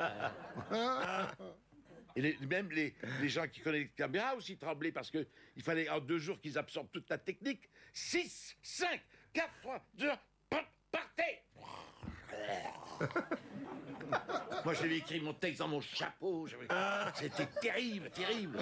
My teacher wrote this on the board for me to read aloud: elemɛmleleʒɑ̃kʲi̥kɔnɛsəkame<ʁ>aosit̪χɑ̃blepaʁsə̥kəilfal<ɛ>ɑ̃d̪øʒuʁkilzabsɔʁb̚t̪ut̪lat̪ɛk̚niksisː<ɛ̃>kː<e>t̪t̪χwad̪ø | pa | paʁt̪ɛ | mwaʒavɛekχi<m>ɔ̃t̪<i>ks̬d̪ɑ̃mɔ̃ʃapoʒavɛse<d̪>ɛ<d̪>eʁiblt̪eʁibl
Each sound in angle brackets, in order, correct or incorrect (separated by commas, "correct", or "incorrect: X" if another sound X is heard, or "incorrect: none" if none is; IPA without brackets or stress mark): correct, correct, correct, incorrect: a, correct, incorrect: ɛ, incorrect: t̪, incorrect: t̪